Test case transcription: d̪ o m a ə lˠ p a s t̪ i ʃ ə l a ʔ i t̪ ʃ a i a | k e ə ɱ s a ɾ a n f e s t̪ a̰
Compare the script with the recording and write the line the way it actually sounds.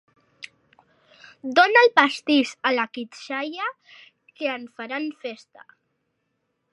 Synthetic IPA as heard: d̪ o n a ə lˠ p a s t̪ i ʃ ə l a k i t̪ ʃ a j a | k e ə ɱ f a ɾ a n f e s t̪ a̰